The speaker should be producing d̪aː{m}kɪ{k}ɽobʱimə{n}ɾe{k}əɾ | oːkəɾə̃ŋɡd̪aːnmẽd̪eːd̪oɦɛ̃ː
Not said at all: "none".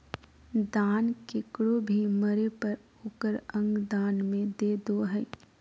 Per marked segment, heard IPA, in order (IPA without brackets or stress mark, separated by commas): n, k, none, p